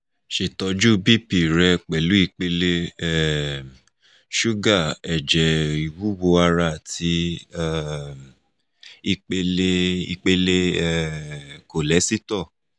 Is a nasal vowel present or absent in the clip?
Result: absent